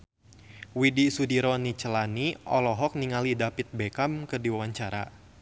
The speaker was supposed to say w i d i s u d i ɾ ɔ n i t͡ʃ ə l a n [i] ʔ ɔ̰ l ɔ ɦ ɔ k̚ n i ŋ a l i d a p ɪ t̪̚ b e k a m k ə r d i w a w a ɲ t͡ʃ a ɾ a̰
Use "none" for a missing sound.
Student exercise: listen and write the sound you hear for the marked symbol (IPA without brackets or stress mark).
i